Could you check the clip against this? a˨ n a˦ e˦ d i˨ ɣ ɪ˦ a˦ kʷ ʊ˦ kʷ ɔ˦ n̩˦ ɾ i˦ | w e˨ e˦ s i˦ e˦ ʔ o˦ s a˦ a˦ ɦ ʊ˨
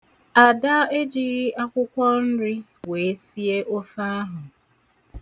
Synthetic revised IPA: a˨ d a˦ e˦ d͡ʒ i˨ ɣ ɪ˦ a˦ kʷ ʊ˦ kʷ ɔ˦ n̩˦ ɾ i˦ | w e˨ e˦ s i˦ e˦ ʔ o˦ f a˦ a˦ ɦ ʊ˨